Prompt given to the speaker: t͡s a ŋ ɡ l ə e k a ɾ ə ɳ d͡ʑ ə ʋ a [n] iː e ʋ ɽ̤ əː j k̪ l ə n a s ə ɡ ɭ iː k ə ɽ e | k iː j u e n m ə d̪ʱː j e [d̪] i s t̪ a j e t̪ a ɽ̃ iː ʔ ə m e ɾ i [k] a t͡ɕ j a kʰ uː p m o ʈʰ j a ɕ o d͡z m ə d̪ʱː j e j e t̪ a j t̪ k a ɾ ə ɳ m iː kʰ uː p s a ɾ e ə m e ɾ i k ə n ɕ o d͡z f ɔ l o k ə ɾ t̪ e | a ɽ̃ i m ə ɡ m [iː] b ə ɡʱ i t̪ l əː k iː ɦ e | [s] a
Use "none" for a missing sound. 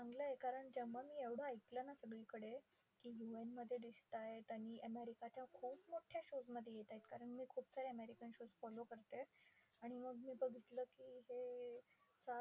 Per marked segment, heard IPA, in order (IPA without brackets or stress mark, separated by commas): m, d̪, k, iː, s